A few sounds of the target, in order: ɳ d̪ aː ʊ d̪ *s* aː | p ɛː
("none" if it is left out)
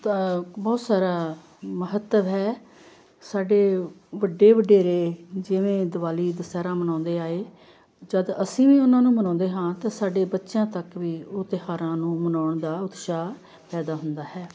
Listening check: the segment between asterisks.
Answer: ʃ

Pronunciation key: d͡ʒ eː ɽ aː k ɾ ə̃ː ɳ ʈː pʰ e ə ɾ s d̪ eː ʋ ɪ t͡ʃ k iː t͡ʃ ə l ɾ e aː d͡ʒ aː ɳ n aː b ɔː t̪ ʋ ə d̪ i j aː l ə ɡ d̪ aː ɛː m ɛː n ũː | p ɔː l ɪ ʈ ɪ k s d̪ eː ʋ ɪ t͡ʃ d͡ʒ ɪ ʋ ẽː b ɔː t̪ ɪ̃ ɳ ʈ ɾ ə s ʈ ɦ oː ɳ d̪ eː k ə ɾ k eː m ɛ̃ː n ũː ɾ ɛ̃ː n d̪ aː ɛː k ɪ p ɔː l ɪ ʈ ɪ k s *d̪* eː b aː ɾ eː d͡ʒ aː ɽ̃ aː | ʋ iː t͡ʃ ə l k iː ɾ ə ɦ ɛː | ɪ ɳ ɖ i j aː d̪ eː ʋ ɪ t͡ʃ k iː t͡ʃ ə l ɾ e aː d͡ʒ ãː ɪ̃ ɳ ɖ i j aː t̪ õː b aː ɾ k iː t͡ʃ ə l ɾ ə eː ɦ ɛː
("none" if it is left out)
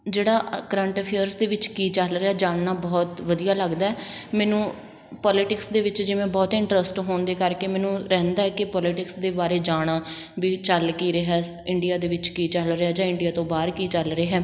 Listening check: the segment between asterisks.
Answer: d̪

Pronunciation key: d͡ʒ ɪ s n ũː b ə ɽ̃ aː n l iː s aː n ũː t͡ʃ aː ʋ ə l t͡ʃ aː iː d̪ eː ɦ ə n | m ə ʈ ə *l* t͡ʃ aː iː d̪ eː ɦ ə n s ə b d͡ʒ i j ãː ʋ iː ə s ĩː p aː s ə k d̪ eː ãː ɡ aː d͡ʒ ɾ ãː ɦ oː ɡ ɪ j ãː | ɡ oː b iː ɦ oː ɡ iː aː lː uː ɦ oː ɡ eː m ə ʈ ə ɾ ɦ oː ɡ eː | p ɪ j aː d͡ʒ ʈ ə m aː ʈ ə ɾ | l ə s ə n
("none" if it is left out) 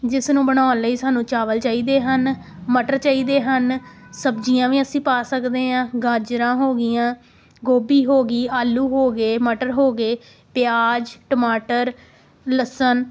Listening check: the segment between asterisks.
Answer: ɾ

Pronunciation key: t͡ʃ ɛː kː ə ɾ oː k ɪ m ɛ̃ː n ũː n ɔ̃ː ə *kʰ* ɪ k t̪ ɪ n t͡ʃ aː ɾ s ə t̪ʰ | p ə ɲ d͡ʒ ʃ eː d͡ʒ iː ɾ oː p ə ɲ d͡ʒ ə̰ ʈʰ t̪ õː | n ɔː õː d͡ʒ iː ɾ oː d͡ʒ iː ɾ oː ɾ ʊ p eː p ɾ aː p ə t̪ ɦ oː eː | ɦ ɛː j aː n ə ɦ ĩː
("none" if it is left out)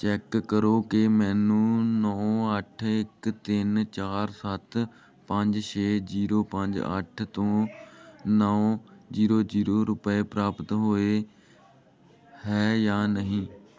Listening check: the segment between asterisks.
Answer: ʈʰ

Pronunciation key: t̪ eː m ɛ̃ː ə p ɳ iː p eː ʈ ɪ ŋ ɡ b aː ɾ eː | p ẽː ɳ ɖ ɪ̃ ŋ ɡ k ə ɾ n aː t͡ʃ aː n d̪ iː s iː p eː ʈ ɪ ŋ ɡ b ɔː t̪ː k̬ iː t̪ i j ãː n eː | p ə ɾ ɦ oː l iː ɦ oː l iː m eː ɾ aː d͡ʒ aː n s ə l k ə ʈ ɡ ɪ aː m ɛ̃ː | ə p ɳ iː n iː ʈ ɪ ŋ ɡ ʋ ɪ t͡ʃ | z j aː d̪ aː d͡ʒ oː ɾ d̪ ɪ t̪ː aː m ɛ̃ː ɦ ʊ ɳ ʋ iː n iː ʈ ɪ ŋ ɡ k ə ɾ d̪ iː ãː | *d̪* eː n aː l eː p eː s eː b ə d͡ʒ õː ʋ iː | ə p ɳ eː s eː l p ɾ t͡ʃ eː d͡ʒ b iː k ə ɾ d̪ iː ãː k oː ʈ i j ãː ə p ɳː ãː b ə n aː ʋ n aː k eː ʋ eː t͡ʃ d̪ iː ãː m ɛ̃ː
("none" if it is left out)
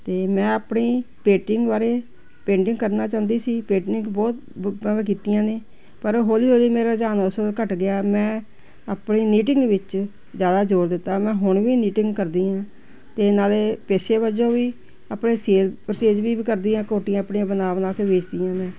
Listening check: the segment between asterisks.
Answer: t̪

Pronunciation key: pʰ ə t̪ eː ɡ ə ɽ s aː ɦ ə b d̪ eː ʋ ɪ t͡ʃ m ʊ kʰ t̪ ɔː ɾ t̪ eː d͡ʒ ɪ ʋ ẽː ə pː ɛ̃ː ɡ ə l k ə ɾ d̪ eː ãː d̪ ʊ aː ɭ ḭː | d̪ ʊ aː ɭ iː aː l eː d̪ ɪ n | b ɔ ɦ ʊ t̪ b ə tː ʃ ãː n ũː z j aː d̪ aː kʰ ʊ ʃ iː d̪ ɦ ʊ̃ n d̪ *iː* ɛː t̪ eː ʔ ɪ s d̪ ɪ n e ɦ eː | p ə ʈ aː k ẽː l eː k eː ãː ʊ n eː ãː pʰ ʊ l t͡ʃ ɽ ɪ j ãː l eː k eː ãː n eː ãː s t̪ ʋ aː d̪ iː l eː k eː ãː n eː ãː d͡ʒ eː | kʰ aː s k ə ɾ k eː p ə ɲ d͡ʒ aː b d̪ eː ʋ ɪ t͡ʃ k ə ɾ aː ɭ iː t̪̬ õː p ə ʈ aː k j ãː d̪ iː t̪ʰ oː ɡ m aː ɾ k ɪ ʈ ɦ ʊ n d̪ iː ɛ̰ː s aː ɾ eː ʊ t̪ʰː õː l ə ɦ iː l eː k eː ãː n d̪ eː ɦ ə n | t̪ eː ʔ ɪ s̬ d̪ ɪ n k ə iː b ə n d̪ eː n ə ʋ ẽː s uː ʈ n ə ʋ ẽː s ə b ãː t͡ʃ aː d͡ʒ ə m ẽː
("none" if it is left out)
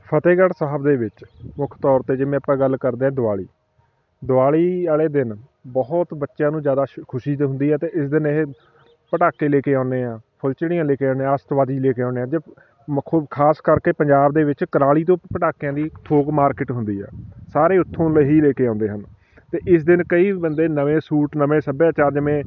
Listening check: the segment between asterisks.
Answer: iː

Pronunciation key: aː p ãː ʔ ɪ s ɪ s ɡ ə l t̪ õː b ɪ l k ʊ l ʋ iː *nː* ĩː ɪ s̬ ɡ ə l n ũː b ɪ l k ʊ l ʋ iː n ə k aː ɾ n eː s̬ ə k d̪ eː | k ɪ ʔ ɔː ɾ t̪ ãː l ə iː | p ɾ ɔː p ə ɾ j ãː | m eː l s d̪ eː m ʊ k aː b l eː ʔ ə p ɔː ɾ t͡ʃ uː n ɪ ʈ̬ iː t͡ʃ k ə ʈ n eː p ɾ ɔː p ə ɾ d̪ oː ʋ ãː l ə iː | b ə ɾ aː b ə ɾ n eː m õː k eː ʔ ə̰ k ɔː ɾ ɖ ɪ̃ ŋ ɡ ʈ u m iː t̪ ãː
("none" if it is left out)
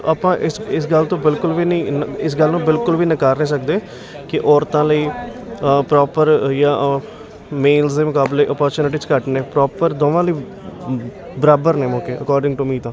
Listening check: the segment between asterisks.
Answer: n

